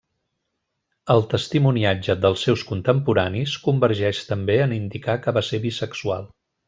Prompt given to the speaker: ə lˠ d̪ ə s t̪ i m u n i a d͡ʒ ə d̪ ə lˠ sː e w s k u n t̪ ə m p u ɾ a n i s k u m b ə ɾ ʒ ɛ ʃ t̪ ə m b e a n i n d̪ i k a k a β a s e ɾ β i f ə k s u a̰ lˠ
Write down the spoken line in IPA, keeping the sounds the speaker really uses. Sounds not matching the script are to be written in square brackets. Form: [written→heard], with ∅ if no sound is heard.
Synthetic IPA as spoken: ə lˠ [d̪→t̪] ə s t̪ i m u n i a d͡ʒ ə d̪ ə lˠ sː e w s k u n t̪ ə m p u ɾ a n i s k u m b ə ɾ ʒ ɛ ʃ t̪ ə m b e [a→ə] n i n d̪ i k a k [a→ə] β a s e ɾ β i [f→s] ə k s u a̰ lˠ